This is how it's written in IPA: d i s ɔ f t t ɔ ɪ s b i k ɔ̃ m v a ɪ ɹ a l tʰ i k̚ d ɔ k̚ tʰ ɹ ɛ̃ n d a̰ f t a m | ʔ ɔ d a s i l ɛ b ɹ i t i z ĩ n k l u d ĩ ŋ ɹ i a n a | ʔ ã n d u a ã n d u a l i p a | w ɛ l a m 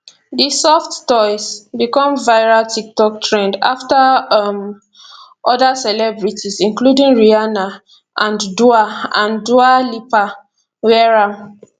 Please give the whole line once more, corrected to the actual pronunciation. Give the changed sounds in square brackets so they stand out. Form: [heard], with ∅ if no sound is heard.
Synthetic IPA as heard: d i s ɔ f t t ɔ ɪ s b i k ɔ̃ m v a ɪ ɹ a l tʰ i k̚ [t] ɔ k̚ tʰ ɹ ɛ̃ n d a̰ f t a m | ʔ ɔ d a s [ɛ] l ɛ b ɹ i t i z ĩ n k l u d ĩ ŋ ɹ i a n a | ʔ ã n d u a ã n d u a l i p a | w ɛ [ɹ] a m